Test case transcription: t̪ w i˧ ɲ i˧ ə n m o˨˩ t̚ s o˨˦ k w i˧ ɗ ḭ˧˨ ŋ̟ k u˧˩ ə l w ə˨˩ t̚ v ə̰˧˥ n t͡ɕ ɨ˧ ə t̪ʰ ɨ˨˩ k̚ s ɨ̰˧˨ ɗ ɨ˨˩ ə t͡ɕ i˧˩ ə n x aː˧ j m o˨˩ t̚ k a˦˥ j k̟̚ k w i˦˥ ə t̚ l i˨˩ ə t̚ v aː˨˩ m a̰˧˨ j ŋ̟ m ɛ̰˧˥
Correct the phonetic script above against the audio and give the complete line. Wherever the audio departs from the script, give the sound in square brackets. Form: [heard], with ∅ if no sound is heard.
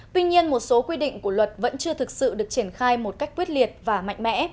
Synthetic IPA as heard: t̪ w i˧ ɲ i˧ ə n m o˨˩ t̚ s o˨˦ k w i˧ ɗ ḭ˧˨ ŋ̟ k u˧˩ ə l w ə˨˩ t̚ v ə̰˧˥ n t͡ɕ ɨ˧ ə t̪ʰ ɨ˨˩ k̚ s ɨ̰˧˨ ɗ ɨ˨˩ ə t͡ɕ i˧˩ ə n x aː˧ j m o˨˩ t̚ k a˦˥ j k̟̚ k w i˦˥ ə t̚ l i˨˩ ə t̚ v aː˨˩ m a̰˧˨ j ŋ̟ m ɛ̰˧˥

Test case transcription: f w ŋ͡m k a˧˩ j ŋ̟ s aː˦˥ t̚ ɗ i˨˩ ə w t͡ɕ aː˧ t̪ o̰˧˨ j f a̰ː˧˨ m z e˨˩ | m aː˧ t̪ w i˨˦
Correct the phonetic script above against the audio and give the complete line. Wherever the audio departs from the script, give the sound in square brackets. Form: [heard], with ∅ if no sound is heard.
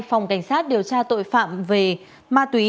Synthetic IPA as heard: f w ŋ͡m k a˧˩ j ŋ̟ s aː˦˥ t̚ ɗ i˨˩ ə w t͡ɕ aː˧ t̪ o̰˧˨ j f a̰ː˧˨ m [v] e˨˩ | m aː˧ t̪ w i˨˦

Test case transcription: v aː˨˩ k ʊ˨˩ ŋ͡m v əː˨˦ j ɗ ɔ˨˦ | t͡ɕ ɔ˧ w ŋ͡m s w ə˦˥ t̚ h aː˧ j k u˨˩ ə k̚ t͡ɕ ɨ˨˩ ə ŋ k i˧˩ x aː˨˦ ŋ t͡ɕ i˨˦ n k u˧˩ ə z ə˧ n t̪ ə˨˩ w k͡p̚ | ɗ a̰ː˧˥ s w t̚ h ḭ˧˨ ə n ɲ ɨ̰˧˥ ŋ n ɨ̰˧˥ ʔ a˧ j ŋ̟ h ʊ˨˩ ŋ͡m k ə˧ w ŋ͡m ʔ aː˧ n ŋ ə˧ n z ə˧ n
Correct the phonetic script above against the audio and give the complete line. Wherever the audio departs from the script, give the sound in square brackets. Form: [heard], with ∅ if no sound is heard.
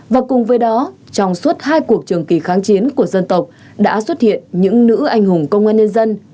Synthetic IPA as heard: v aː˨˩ k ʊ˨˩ ŋ͡m v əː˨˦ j ɗ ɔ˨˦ | t͡ɕ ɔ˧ w ŋ͡m s w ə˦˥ t̚ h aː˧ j k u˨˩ ə k̚ t͡ɕ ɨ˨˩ ə ŋ k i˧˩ x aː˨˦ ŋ t͡ɕ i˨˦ n k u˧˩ ə z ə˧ n t̪ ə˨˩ w k͡p̚ | ɗ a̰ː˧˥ s w t̚ h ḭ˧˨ ə n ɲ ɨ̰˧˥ ŋ n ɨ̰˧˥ ʔ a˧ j ŋ̟ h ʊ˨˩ ŋ͡m k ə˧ w ŋ͡m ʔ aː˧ n [ɲ] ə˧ n z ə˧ n

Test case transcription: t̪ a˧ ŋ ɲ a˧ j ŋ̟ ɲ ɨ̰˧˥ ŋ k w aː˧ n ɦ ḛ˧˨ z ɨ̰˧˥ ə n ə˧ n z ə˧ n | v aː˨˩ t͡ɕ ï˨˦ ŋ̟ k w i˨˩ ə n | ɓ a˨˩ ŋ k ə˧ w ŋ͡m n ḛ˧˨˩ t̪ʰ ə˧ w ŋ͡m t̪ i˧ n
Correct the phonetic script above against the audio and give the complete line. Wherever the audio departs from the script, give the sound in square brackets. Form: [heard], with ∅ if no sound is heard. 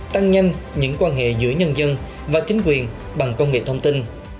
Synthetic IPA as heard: t̪ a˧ ŋ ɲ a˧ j ŋ̟ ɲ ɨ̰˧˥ ŋ k w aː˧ n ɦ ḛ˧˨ z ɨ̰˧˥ ə [ɲ] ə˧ n z ə˧ n | v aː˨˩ t͡ɕ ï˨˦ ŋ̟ k w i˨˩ ə n | ɓ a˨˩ ŋ k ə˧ w ŋ͡m [ŋ] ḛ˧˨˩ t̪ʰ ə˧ w ŋ͡m t̪ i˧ n

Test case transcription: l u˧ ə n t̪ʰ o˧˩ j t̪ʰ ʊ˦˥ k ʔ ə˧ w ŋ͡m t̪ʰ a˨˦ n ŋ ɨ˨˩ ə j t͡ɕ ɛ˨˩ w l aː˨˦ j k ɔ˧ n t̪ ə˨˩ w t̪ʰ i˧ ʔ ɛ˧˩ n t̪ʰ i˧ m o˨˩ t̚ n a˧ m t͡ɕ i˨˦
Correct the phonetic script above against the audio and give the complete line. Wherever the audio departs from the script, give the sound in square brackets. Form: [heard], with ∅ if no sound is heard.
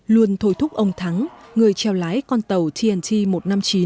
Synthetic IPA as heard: l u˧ ə n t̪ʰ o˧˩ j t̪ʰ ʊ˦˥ [k͡p̚] ʔ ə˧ w ŋ͡m t̪ʰ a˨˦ [ŋ] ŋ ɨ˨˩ ə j t͡ɕ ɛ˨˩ w l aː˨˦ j k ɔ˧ n t̪ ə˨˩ w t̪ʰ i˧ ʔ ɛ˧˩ n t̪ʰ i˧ m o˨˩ t̚ n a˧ m t͡ɕ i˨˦

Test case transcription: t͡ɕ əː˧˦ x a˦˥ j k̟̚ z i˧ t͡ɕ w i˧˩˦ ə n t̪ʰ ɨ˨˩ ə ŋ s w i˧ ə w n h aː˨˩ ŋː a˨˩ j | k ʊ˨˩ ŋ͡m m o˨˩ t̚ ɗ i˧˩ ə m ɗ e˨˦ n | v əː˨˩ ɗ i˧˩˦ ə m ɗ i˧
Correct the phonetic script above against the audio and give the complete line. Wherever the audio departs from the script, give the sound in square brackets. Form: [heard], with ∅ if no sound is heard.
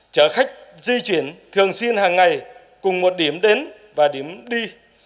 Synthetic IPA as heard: t͡ɕ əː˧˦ x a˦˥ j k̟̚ z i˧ t͡ɕ w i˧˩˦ ə n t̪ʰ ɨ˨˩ ə ŋ s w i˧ ə [∅] n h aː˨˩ ŋː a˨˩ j | k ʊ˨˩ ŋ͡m m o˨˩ t̚ ɗ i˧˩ ə m ɗ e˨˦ n | v [aː˨˩] ɗ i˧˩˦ ə m ɗ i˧

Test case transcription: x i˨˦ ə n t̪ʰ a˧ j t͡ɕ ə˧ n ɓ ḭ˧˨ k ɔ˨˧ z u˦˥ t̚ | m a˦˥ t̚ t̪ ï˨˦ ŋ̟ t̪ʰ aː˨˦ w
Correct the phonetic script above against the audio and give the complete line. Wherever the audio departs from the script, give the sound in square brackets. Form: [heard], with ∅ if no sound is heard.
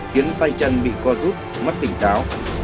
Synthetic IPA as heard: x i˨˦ ə n [t̪] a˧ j t͡ɕ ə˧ n ɓ ḭ˧˨ k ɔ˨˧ z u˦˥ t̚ | m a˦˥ t̚ t̪ [ï˧˩] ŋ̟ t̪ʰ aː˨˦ w

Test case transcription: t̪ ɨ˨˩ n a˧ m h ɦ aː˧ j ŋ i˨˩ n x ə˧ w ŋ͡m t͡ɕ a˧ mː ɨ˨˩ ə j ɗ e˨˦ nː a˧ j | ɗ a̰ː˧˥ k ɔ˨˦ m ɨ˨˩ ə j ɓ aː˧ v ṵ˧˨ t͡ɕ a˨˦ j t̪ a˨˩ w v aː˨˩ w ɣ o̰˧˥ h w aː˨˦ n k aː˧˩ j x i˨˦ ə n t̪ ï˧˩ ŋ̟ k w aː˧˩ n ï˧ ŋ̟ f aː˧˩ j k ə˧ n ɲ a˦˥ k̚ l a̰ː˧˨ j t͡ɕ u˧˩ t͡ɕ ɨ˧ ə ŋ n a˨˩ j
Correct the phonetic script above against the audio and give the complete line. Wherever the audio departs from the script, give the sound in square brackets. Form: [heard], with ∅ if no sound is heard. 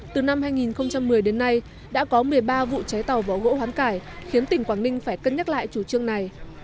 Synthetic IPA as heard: t̪ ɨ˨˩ n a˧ m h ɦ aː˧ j ŋ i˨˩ n x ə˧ w ŋ͡m t͡ɕ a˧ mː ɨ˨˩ ə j ɗ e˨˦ nː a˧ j | ɗ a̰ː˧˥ k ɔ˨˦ m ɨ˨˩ ə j ɓ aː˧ v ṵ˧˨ t͡ɕ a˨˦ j t̪ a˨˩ w v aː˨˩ w ɣ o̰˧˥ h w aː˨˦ n k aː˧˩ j x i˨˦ ə n t̪ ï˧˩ ŋ̟ k w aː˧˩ n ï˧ ŋ̟ f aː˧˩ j k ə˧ n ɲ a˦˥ [t̚] l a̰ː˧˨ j t͡ɕ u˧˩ t͡ɕ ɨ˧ ə ŋ n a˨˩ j

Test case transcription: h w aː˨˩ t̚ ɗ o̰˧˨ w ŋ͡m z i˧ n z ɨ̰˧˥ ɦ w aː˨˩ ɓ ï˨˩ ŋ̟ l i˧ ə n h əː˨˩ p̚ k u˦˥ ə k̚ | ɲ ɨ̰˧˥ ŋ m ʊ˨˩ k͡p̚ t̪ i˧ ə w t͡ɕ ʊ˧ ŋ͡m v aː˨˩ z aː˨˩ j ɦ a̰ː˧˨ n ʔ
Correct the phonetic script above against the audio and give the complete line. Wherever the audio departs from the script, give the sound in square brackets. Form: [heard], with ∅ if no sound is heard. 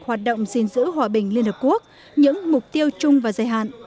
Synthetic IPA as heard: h w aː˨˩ t̚ ɗ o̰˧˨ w ŋ͡m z i˧ n z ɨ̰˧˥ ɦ w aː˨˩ ɓ ï˨˩ ŋ̟ l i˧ ə n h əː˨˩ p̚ k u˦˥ ə k̚ | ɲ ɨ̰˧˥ ŋ m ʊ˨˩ k͡p̚ t̪ i˧ ə w t͡ɕ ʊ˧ ŋ͡m v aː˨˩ z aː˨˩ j ɦ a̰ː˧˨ n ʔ

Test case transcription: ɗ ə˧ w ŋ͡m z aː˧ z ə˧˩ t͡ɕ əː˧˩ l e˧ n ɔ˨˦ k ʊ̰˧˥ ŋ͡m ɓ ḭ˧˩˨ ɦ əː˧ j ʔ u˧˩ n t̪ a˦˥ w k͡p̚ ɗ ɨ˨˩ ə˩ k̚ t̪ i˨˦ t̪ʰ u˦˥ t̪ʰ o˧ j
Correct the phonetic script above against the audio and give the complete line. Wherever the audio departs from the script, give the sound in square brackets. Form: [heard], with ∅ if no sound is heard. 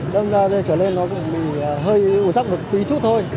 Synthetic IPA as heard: ɗ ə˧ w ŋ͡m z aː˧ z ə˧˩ t͡ɕ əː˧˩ l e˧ [nː] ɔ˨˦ k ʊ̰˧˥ ŋ͡m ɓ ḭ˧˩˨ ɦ əː˧ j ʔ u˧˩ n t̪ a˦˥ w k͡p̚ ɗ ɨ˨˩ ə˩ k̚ t̪ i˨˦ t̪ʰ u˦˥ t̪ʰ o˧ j

